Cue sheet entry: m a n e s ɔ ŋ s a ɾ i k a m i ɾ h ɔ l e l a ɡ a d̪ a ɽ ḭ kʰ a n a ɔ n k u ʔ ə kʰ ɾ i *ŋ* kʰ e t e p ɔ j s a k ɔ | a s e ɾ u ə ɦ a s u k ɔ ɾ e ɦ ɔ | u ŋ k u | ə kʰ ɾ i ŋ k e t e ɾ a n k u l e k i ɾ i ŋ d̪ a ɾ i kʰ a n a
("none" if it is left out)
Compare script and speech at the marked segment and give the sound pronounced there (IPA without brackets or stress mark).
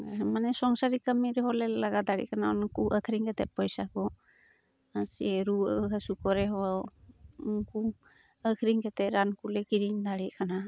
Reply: ŋ